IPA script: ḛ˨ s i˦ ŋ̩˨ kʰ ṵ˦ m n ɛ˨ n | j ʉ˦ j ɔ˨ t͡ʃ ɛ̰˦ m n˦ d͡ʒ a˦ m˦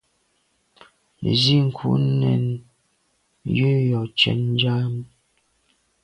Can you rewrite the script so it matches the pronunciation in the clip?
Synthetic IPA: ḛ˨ z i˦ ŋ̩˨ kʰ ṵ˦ n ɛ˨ n | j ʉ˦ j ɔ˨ t͡ʃ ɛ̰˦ n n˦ d͡ʒ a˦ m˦